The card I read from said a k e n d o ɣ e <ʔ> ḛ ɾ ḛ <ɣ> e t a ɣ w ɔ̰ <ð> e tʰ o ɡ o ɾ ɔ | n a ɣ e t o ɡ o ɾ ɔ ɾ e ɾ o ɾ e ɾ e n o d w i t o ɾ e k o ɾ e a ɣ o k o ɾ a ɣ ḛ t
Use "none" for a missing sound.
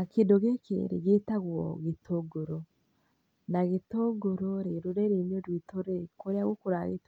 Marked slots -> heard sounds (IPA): k, ɣ, ɣ

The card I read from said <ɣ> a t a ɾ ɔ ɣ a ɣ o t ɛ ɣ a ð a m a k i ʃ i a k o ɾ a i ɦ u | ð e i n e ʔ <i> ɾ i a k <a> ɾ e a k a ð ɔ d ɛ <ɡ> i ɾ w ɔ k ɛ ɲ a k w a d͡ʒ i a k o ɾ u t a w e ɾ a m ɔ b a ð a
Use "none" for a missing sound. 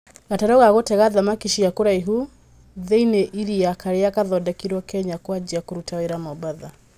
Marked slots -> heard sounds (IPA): ɣ, i, a, k

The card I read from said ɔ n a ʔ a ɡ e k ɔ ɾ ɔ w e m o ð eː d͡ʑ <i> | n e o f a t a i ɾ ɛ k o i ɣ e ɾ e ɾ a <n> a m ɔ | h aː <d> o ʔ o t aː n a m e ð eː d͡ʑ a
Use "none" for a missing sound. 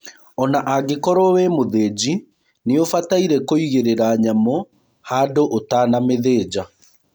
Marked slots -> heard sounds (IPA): i, ɲ, d

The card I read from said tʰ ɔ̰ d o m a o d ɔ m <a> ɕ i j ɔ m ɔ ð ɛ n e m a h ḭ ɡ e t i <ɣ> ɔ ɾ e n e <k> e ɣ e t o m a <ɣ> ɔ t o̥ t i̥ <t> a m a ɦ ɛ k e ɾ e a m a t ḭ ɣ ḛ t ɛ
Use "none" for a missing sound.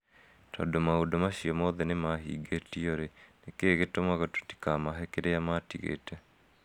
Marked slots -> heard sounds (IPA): a, none, k, ɣ, k

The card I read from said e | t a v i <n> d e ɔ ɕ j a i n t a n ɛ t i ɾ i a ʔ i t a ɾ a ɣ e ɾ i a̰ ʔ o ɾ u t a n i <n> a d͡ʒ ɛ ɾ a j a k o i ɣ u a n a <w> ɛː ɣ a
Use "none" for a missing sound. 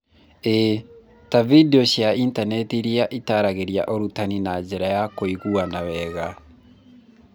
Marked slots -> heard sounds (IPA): none, n, w

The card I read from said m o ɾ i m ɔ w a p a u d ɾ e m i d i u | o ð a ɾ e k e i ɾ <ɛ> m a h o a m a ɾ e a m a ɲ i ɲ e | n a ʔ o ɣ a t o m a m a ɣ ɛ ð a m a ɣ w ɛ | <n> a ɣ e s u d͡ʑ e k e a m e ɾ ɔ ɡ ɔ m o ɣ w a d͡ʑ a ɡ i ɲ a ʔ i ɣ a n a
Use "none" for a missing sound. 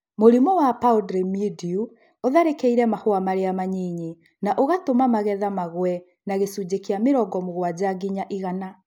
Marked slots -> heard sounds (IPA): ɛ, n

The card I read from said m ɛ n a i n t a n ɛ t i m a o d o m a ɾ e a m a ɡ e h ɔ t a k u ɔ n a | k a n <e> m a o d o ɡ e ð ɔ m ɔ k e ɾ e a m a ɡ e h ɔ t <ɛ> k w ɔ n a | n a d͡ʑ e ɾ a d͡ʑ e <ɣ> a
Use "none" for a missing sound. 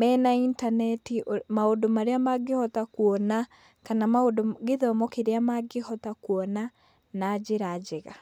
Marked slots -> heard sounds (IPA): a, a, ɣ

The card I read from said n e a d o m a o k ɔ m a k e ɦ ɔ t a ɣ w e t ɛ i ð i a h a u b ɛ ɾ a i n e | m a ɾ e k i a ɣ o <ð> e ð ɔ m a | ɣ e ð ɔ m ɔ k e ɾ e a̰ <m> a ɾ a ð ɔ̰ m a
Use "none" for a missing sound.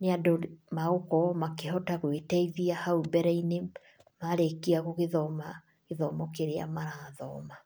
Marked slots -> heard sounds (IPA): ɣ, m

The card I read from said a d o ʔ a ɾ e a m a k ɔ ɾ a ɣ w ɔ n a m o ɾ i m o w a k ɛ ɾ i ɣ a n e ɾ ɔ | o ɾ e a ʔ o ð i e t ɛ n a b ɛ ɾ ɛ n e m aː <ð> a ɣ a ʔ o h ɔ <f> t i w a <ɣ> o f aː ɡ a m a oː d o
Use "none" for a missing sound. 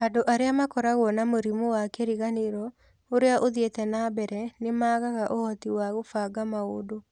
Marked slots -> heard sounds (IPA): ɣ, none, ɣ

